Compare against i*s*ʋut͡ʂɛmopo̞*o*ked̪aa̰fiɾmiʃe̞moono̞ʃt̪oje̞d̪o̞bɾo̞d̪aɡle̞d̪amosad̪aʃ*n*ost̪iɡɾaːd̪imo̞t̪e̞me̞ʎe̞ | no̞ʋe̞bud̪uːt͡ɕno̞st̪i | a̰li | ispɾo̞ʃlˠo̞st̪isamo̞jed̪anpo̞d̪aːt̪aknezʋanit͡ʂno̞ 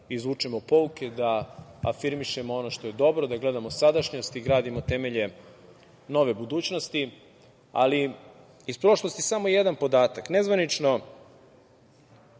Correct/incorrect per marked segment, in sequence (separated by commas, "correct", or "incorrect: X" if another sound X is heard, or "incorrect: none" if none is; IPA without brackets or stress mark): incorrect: z, incorrect: u, incorrect: ɲ